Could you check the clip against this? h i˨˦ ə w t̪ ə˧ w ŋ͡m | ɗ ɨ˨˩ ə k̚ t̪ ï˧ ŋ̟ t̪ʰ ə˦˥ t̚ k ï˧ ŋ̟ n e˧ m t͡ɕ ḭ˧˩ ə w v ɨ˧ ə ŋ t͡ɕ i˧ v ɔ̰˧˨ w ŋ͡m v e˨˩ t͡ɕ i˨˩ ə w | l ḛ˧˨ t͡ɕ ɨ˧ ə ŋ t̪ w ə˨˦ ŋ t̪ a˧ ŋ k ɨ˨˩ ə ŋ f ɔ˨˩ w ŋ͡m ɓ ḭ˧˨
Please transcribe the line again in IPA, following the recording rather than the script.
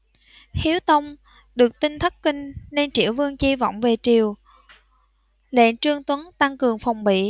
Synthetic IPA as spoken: h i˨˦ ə w t̪ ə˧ w ŋ͡m | ɗ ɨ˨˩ ə k̚ t̪ ï˧ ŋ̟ t̪ʰ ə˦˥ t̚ k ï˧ ŋ̟ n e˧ n t͡ɕ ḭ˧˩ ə w v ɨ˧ ə ŋ t͡ɕ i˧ v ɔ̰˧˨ w ŋ͡m v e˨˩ t͡ɕ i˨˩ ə w | l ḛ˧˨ t͡ɕ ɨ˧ ə ŋ t̪ w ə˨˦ n t̪ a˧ ŋ k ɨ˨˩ ə ŋ f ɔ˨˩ w ŋ͡m ɓ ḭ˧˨

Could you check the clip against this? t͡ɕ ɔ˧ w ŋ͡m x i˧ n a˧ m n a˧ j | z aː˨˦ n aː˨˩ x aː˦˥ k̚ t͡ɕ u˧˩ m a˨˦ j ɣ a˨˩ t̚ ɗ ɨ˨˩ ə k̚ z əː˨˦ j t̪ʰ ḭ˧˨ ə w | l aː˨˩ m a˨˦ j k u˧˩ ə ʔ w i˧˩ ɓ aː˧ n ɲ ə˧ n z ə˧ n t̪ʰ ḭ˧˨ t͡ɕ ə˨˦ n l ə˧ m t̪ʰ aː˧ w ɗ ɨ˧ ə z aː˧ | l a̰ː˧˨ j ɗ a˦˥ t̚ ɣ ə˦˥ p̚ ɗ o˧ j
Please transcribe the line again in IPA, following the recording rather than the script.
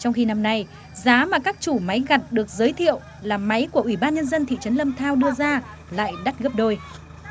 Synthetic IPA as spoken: t͡ɕ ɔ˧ w ŋ͡m x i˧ n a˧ m n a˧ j | z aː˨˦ m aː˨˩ k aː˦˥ k̚ t͡ɕ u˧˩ m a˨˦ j ɣ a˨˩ t̚ ɗ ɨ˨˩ ə k̚ z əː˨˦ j t̪ʰ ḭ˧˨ ə w | l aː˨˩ m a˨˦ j k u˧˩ ə ʔ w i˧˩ ɓ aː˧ n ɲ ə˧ n z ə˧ n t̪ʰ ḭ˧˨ t͡ɕ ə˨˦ n l ə˧ m t̪ʰ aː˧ w ɗ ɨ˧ ə z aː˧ | l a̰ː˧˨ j ɗ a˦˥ t̚ ɣ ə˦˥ p̚ ɗ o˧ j

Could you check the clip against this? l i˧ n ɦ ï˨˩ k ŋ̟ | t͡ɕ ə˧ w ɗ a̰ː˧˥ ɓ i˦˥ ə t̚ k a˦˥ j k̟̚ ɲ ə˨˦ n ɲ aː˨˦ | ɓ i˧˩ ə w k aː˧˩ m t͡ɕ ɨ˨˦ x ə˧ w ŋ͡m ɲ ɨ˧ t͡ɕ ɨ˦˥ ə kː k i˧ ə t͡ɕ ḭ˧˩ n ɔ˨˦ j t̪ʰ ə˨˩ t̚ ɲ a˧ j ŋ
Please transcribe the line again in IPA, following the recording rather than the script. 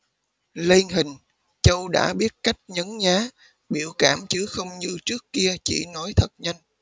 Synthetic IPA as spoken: l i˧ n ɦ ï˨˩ ŋ̟ | t͡ɕ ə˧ w ɗ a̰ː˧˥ ɓ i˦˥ ə t̚ k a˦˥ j k̟̚ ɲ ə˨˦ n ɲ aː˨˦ | ɓ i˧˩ ə w k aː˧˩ m t͡ɕ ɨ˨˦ x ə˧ w ŋ͡m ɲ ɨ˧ t͡ɕ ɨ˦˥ ə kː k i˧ ə t͡ɕ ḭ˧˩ n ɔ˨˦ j t̪ʰ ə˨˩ t̚ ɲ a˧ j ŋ

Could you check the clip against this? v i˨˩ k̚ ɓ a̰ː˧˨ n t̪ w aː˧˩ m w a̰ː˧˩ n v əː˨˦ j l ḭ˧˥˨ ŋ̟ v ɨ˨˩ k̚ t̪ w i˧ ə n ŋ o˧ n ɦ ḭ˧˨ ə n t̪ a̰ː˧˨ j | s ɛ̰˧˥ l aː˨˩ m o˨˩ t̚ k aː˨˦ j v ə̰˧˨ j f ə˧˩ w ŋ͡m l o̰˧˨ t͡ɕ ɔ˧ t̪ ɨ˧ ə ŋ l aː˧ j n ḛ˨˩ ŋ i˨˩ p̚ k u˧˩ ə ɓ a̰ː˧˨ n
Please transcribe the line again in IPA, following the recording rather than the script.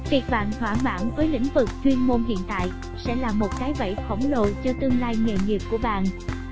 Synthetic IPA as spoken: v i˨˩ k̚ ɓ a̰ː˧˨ n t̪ w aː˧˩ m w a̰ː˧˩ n v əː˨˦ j l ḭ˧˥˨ ŋ̟ v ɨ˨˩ k̚ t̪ w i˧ ə n m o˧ n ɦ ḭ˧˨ ə n t̪ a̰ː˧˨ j | s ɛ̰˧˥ l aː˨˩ m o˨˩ t̚ k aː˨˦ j v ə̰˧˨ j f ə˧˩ w ŋ͡m l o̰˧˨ t͡ɕ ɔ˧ t̪ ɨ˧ ə ŋ l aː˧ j ŋ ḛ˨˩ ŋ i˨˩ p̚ k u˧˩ ə ɓ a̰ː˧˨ n

